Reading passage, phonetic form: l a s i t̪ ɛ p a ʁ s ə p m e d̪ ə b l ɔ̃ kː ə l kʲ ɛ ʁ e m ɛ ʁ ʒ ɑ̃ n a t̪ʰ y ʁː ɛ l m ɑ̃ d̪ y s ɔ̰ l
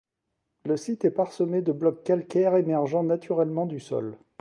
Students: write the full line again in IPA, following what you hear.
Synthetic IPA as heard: l ə s i t̪ ɛ p a ʁ s ə m e d̪ ə b l ɔ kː a l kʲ ɛ ʁ e m ɛ ʁ ʒ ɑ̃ n a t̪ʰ y ʁ ɛ l m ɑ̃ d̪ y s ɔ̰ l